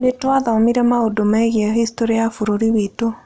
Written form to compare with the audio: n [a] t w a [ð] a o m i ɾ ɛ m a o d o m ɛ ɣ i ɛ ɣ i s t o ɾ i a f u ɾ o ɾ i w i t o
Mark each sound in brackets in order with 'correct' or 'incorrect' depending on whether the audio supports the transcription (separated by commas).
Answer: incorrect, correct